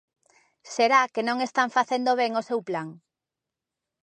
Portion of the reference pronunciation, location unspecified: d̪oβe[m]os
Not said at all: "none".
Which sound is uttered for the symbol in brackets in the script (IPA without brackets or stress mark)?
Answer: ŋ